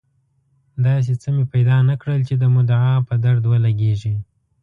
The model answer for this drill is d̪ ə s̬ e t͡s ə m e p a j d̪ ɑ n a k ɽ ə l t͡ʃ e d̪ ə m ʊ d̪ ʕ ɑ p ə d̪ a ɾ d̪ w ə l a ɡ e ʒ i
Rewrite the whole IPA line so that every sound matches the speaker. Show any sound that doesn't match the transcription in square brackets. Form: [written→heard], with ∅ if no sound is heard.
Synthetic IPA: d̪ [ə→ɑ] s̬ e t͡s ə m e p a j d̪ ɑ n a k ɽ ə l t͡ʃ e d̪ ə m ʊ d̪ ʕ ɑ p ə d̪ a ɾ d̪ w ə l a ɡ e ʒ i